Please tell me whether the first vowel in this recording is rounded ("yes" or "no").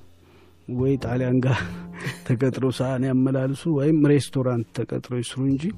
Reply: yes